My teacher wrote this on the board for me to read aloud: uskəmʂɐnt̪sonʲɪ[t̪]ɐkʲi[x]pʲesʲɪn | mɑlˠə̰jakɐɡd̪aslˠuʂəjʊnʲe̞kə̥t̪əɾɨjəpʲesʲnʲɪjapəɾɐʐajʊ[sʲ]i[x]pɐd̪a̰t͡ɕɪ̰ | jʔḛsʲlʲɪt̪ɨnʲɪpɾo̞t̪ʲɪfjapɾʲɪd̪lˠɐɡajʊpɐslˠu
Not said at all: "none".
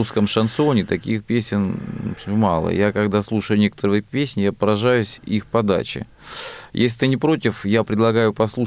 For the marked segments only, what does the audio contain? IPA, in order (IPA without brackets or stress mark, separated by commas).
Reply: t̪, x, sʲ, x